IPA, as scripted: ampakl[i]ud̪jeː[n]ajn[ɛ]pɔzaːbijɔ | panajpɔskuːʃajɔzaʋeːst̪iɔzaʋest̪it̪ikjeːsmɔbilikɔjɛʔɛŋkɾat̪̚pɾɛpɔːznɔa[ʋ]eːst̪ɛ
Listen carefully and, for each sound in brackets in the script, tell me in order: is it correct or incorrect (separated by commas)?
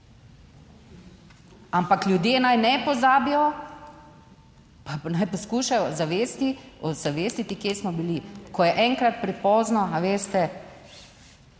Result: incorrect, correct, correct, correct